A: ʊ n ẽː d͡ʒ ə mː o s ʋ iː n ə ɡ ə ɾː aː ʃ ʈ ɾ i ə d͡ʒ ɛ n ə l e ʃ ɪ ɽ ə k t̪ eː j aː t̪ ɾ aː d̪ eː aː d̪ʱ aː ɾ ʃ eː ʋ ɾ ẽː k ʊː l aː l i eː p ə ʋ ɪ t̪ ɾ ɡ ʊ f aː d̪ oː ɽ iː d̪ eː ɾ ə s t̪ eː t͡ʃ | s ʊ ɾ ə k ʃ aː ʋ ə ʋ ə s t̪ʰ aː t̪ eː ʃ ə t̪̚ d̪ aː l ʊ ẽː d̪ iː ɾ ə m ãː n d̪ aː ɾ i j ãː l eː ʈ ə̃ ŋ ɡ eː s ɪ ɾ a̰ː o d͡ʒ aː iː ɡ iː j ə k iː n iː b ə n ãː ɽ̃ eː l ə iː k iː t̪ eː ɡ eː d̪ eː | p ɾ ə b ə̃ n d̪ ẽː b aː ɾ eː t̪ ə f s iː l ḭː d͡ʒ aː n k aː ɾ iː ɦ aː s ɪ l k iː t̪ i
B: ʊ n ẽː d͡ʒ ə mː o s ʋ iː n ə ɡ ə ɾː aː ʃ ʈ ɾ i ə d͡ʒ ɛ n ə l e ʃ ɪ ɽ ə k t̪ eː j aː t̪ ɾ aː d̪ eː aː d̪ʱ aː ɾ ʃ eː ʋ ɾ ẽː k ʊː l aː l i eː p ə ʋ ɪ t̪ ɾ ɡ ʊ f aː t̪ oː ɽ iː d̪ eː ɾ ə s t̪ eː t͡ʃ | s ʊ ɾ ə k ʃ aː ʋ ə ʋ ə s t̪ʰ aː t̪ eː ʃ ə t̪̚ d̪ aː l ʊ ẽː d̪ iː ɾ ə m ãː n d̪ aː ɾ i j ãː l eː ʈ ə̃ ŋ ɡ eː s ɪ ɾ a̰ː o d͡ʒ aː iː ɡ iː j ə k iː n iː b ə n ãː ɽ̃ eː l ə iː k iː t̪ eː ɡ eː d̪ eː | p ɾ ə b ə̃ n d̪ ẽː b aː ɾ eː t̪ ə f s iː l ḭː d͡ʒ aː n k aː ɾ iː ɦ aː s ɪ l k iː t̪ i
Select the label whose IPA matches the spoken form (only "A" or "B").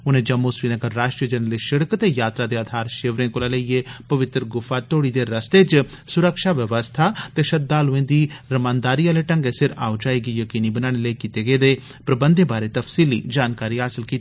B